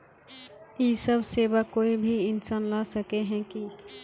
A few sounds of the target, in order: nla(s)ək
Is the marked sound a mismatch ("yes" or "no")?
no